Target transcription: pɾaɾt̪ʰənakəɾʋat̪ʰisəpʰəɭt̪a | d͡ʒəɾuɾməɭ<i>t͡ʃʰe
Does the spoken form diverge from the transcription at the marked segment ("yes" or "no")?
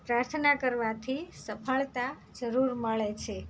yes